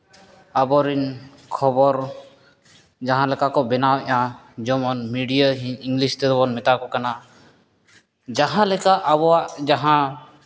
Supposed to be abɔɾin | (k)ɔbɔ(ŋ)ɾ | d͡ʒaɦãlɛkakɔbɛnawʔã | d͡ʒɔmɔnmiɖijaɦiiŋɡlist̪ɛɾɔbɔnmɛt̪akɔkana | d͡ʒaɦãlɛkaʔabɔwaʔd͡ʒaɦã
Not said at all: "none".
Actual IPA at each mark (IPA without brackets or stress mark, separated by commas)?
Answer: kʰ, none